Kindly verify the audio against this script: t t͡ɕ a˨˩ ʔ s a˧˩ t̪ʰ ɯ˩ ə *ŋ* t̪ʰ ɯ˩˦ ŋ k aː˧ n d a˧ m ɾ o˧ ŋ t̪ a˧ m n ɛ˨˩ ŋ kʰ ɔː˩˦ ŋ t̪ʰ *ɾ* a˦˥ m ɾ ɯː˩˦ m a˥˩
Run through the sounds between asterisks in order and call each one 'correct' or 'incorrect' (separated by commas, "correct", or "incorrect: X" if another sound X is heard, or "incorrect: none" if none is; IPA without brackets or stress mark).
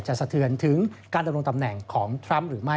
incorrect: n, correct